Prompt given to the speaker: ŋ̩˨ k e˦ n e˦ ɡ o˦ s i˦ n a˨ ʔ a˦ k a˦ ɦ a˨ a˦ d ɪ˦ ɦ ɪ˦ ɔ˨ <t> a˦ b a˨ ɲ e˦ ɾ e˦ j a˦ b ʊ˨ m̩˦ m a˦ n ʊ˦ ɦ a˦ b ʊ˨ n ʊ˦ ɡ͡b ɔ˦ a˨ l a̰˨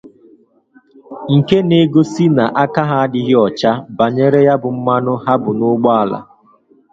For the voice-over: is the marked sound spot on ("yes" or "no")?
no